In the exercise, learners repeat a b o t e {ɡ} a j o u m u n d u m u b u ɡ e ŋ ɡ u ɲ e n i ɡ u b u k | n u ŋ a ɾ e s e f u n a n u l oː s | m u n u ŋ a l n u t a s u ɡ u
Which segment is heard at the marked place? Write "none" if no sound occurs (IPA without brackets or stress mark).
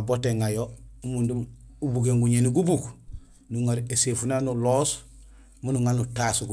ŋ